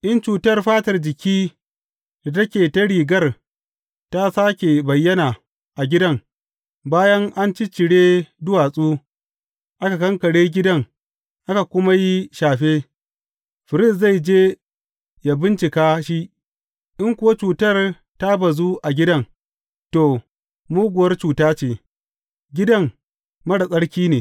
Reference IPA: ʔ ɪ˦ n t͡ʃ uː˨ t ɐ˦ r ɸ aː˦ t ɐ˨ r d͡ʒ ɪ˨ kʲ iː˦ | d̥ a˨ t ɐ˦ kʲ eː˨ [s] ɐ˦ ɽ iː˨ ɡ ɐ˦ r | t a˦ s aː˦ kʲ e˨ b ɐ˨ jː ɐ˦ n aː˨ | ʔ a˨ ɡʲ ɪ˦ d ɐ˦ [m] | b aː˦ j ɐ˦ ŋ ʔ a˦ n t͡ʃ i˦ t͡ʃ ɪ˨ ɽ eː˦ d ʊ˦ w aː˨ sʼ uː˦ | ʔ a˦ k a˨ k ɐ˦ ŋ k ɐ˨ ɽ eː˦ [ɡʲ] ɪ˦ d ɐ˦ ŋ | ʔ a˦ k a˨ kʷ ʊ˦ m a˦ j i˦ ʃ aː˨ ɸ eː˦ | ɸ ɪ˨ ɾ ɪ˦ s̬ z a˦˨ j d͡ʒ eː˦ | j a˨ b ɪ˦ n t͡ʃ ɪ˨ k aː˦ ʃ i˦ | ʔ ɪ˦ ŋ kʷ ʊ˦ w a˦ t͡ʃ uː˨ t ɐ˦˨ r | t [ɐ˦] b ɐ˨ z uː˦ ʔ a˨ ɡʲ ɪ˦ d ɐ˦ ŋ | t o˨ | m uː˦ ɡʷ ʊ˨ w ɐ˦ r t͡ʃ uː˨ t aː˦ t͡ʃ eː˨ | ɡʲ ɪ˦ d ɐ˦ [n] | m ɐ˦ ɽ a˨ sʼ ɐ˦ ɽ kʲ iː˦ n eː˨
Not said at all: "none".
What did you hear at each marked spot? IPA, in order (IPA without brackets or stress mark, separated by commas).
t, ŋ, ɡʲ, a˦, ŋ